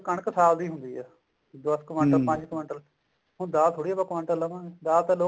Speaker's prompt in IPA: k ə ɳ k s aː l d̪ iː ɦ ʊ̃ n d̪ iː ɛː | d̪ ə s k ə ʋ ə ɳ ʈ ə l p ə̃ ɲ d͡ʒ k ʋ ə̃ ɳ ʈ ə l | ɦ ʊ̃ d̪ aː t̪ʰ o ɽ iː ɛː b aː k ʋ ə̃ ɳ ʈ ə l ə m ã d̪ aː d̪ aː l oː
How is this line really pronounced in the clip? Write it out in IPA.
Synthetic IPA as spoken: k ə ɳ k s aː l d̪ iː ɦ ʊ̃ n d̪ iː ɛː | d̪ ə s k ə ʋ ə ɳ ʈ ə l p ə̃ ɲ d͡ʒ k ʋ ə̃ ɳ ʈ ə l | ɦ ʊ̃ d̪ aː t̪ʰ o ɽ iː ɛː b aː k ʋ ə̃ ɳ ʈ ə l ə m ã d̪ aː t̪ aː l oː